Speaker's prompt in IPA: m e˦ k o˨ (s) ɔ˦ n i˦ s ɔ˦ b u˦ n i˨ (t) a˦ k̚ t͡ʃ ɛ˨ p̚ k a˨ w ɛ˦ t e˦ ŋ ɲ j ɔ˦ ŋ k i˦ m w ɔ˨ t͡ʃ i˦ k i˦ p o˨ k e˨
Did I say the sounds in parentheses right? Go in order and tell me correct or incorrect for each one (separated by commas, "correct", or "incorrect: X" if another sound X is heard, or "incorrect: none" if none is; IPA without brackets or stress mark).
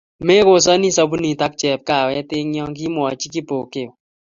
correct, correct